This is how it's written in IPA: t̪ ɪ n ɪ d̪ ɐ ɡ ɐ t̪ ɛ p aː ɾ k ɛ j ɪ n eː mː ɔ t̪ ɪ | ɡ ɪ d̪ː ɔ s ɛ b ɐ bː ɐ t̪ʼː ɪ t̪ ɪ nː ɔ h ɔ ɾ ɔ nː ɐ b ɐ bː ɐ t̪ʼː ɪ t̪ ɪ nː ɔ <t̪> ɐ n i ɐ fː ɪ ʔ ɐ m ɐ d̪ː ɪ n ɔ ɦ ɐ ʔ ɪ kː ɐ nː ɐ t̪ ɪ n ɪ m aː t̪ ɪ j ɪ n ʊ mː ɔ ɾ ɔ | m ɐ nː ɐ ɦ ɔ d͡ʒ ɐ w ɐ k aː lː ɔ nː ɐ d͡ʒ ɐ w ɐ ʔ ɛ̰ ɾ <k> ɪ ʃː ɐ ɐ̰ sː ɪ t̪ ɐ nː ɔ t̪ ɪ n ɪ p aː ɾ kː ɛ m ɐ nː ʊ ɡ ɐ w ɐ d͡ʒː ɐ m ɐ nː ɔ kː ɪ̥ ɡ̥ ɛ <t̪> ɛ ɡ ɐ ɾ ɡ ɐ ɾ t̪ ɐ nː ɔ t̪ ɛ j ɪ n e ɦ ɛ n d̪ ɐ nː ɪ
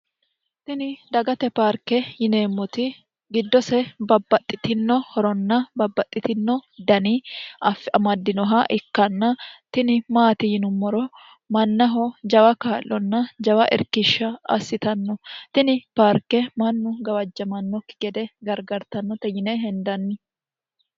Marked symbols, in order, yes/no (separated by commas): no, yes, no